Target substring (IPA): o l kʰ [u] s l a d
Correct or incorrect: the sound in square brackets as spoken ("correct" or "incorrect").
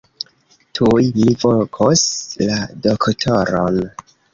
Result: incorrect